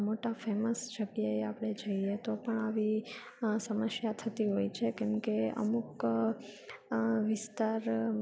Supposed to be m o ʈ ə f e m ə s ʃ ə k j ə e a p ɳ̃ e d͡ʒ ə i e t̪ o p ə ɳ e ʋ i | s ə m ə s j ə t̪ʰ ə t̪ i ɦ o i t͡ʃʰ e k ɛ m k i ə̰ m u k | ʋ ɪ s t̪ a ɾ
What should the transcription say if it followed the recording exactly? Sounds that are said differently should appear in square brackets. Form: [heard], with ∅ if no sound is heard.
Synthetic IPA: m o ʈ [a] f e m ə s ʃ ə [ɡ] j ə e a p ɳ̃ e d͡ʒ ə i e t̪ o p ə ɳ [a] ʋ i | s ə m ə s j [a] t̪ʰ ə t̪ i ɦ o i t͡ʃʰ e k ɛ m k [e] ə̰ m u k | ʋ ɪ s t̪ a ɾ